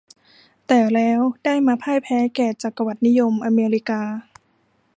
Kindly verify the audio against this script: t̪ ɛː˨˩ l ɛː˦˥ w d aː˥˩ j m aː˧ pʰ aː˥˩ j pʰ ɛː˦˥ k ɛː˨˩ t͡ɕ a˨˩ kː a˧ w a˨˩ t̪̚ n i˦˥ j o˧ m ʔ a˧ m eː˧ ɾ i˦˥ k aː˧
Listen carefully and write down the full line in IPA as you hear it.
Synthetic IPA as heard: t̪ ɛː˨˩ l ɛː˦˥ w d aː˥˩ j m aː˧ pʰ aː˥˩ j pʰ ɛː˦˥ k ɛː˨˩ t͡ɕ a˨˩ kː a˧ w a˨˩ t̪̚ n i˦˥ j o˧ m ʔ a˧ m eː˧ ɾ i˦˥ k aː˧